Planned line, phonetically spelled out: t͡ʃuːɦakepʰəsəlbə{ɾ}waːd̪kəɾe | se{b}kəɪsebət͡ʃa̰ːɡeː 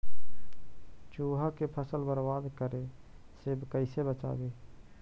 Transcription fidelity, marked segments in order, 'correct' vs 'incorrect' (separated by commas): correct, correct